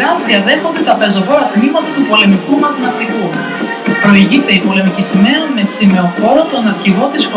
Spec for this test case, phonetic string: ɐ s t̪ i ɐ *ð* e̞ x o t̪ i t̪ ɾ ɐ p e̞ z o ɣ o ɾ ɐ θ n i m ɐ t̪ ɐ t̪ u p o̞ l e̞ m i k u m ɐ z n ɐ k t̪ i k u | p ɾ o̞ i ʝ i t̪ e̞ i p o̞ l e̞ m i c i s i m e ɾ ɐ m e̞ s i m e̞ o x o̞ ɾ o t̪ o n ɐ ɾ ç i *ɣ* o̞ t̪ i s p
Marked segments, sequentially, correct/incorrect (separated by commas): correct, correct